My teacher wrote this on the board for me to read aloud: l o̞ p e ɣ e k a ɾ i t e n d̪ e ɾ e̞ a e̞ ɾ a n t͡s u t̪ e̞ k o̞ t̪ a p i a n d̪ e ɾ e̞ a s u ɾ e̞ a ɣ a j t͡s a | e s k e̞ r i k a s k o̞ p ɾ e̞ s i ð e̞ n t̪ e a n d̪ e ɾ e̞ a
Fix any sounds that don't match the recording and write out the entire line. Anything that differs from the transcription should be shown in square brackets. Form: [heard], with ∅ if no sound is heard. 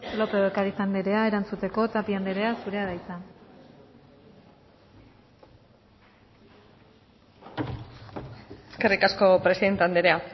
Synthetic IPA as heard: l o̞ p e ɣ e k a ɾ i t [a] n d̪ e ɾ e̞ a e̞ ɾ a n t͡s u t̪ e̞ k o̞ t̪ a p i a n d̪ e ɾ e̞ a s u ɾ e̞ a [ð] a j t͡s a | e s k e̞ r i k a s k o̞ p ɾ e̞ s i ð e̞ n t̪ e a n d̪ e ɾ e̞ a

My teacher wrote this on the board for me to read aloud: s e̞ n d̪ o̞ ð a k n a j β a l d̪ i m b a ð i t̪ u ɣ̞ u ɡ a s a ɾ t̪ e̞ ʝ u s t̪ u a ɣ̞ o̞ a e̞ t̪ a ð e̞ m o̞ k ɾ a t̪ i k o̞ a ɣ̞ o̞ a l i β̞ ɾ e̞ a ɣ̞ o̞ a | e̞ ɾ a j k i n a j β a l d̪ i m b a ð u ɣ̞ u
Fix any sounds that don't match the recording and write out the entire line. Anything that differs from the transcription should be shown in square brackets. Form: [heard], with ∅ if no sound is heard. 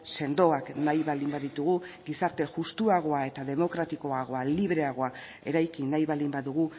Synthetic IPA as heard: s e̞ n d̪ o̞ [∅] a k n a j β a l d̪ i m b a ð i t̪ u ɣ̞ u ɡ [i] s a ɾ t̪ e̞ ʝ u s t̪ u a ɣ̞ o̞ a e̞ t̪ a ð e̞ m o̞ k ɾ a t̪ i k o̞ a ɣ̞ o̞ a l i β̞ ɾ e̞ a ɣ̞ o̞ a | e̞ ɾ a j k i n a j β a l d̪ i m b a ð u ɣ̞ u

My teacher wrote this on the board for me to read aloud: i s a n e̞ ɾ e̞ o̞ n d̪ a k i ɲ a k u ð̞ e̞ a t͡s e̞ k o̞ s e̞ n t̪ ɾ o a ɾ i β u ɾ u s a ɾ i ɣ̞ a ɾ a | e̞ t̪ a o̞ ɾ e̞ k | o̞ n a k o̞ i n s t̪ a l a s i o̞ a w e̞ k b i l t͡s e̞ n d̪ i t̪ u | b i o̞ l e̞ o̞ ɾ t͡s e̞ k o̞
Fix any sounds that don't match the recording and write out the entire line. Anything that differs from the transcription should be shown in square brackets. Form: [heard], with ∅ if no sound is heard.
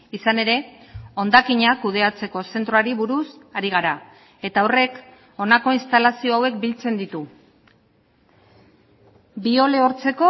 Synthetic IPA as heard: i s a n e̞ ɾ e̞ o̞ n d̪ a k i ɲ a k u ð̞ e̞ a t͡s e̞ k o̞ s e̞ n t̪ ɾ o a ɾ i β u ɾ u s a ɾ i ɣ̞ a ɾ a | e̞ t̪ a o̞ [r] e̞ k | o̞ n a k o̞ i n s t̪ a l a s i o̞ a w e̞ k b i l t͡s e̞ n d̪ i t̪ u | b i o̞ l e̞ o̞ ɾ t͡s e̞ k o̞

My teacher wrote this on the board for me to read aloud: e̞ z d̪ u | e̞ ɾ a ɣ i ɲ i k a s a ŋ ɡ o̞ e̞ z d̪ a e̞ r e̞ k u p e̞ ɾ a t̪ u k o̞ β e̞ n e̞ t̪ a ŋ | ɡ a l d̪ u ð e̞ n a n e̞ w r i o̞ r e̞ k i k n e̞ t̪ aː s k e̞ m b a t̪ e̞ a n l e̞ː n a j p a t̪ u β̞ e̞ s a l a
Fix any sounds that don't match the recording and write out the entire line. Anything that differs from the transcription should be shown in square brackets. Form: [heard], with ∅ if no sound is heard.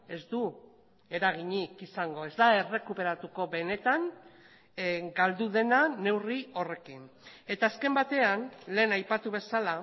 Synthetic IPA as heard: e̞ z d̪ u | e̞ ɾ a ɣ i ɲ i k [i] s a ŋ ɡ o̞ e̞ z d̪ a e̞ r e̞ k u p e̞ ɾ a t̪ u k o̞ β e̞ n e̞ t̪ a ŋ | ɡ a l d̪ u ð e̞ n a n e̞ w r i o̞ r e̞ k i [∅] n e̞ t̪ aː s k e̞ m b a t̪ e̞ a n l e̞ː n a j p a t̪ u β̞ e̞ s a l a

